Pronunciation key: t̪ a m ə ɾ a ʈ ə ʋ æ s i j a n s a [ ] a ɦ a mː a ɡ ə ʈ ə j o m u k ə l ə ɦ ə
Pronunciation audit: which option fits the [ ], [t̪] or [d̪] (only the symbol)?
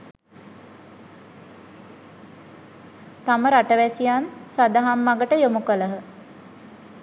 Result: d̪